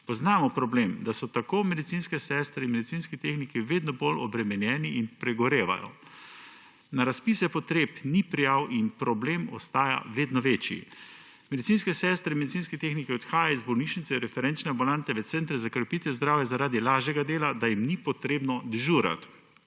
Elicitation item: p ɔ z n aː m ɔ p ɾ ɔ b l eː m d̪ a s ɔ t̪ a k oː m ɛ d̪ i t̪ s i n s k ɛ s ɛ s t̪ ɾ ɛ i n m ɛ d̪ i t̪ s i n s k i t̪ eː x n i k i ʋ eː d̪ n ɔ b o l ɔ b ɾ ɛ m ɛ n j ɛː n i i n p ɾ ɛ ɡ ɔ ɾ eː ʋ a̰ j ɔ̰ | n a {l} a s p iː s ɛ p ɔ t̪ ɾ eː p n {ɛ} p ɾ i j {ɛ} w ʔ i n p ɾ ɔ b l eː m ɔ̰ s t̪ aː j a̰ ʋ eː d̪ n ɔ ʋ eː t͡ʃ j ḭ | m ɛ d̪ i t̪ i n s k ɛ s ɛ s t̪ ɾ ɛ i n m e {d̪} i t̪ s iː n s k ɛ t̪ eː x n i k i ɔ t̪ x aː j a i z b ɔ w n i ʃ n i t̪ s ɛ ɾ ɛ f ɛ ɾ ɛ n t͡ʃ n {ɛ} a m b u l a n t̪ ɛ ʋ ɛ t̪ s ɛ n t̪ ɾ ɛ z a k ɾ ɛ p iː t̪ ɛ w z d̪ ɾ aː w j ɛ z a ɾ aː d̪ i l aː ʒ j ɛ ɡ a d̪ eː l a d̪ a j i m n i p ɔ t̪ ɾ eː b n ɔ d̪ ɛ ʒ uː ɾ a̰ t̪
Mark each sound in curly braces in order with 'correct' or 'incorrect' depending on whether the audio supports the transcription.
incorrect: ɾ, incorrect: i, incorrect: a, correct, correct

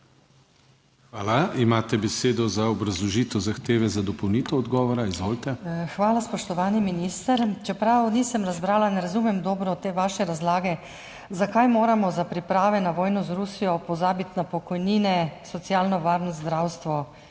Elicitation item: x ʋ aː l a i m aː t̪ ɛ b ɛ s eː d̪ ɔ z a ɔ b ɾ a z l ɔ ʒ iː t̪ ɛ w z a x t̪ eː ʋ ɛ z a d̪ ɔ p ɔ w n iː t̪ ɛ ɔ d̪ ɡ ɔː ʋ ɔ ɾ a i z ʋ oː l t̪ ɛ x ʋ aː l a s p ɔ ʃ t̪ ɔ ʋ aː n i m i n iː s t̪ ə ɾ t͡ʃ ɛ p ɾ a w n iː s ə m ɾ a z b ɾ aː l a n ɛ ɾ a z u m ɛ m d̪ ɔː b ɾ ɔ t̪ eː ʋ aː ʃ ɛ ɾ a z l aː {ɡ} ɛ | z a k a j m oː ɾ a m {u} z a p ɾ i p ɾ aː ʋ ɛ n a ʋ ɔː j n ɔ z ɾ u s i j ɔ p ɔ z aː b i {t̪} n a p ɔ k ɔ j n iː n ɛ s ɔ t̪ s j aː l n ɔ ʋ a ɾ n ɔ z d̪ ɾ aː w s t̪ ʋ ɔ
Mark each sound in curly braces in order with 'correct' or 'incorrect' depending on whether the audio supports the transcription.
correct, incorrect: ɔ, correct

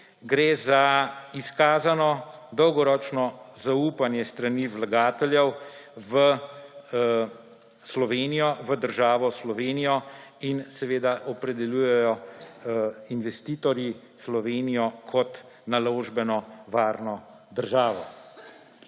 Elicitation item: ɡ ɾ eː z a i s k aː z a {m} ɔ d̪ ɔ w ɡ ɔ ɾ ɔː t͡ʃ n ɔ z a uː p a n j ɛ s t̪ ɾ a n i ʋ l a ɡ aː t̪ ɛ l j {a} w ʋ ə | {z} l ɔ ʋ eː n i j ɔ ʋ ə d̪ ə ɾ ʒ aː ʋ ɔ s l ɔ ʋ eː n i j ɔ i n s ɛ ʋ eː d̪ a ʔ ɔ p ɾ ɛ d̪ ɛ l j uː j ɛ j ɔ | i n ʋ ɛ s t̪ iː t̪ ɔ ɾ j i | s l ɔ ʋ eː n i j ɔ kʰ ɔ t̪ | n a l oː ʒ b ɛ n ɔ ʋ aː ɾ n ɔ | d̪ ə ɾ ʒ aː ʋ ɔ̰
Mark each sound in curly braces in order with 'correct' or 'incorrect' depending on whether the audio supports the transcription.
incorrect: n, incorrect: ɛ, incorrect: s

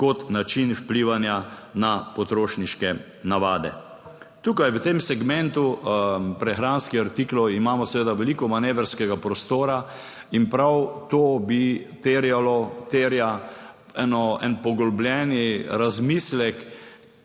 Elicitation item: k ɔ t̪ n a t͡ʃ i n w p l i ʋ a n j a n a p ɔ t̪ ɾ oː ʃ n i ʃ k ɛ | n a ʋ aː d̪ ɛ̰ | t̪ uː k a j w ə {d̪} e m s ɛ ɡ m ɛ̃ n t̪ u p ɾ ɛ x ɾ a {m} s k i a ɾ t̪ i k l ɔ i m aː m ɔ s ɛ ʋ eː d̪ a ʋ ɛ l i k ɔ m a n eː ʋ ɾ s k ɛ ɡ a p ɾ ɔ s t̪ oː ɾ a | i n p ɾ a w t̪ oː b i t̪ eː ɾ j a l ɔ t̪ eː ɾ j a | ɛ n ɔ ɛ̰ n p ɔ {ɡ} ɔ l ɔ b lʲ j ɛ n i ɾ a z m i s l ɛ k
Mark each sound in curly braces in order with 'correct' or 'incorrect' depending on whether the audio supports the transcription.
incorrect: t̪, incorrect: n, correct

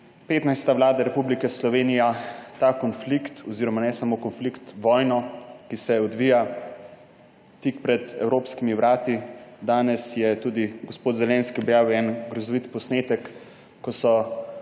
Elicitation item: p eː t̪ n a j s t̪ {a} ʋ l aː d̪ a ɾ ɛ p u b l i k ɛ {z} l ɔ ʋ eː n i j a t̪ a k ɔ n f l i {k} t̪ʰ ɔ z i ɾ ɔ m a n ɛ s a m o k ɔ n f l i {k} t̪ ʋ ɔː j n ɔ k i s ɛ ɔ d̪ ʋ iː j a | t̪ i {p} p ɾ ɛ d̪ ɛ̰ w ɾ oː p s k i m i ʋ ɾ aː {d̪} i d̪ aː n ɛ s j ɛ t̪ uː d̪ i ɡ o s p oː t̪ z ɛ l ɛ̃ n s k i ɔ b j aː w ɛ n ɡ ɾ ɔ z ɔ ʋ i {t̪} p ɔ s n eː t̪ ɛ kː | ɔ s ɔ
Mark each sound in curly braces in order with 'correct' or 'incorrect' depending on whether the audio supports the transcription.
correct, incorrect: s, correct, correct, incorrect: k, incorrect: t̪, correct

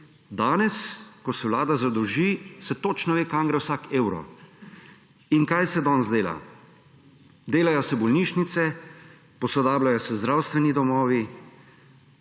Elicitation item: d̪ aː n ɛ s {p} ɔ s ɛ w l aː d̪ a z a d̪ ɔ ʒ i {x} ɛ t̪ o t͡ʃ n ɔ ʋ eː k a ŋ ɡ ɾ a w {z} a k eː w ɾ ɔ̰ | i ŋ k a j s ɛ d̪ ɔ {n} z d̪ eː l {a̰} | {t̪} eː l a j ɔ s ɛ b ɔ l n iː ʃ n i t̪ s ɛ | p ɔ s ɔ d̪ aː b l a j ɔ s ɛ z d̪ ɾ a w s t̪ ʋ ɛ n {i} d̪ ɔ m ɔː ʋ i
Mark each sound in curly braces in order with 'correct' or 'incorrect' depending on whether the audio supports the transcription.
incorrect: k, incorrect: s, incorrect: s, correct, correct, incorrect: d̪, correct

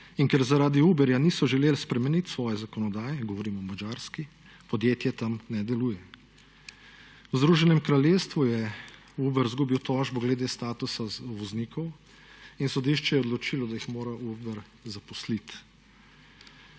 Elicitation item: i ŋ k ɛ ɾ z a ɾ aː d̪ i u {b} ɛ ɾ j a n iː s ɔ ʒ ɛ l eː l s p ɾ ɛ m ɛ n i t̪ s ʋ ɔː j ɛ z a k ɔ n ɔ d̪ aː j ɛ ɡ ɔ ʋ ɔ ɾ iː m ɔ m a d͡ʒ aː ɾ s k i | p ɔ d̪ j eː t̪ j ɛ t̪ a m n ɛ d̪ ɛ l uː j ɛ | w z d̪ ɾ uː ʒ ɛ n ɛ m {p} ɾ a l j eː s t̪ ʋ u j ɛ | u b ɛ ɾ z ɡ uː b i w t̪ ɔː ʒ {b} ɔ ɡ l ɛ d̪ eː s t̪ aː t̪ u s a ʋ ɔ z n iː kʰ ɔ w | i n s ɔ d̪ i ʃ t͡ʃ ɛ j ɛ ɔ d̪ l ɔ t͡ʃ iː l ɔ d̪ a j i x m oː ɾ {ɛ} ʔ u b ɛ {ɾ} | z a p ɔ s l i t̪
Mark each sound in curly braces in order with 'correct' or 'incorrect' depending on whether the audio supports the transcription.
correct, incorrect: k, correct, incorrect: a, correct

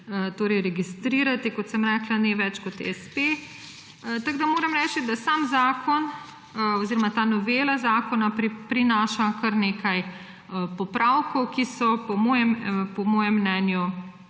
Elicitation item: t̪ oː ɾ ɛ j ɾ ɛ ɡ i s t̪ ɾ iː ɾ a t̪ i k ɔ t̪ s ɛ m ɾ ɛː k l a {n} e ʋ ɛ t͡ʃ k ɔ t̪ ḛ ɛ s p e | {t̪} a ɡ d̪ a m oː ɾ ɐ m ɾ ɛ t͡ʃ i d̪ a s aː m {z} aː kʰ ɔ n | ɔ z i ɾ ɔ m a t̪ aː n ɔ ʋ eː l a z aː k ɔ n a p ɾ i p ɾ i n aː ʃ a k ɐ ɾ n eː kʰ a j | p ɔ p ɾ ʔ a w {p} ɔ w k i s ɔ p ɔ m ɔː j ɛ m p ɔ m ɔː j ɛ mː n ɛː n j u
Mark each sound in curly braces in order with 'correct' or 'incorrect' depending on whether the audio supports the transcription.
correct, correct, correct, incorrect: k

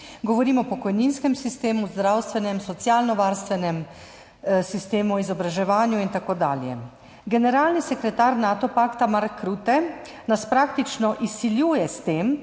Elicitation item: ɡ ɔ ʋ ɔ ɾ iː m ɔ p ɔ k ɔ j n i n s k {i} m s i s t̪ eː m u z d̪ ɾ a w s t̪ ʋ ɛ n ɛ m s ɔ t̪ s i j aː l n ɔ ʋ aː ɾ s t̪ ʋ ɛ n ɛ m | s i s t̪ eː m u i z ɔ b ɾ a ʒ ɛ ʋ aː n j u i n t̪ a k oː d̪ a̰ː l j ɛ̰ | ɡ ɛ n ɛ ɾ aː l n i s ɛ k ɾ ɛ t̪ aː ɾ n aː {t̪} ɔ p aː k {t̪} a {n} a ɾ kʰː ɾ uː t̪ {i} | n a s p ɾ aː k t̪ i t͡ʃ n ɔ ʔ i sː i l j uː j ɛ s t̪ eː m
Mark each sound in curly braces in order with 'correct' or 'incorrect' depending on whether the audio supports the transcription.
incorrect: ɛ, correct, correct, incorrect: m, incorrect: ɛ

